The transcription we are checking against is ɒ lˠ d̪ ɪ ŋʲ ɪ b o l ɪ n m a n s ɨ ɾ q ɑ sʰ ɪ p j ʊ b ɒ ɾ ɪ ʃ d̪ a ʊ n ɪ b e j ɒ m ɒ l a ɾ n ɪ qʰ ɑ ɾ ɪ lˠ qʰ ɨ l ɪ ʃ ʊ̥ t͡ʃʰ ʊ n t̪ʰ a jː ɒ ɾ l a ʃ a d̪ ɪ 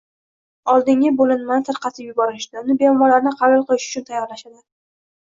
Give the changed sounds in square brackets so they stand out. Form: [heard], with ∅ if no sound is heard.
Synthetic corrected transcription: ɒ lˠ d̪ ɪ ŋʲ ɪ b o l ɪ n m a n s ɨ ɾ q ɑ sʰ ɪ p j ʊ b ɒ ɾ ɪ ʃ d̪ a ʊ n ɪ b e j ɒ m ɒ l a ɾ n ɪ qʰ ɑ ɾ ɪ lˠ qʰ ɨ l ɪ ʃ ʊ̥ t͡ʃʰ ʊ n t̪ʰ a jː ɒ ɾ l a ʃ a d̪ ɪ